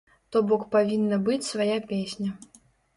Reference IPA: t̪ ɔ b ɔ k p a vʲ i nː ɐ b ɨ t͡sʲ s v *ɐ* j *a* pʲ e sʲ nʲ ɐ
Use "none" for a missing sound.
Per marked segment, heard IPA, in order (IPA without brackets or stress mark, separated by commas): a, a